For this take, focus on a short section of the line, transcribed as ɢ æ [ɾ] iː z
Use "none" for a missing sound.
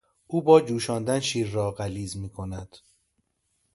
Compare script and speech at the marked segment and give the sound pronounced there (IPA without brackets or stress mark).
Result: l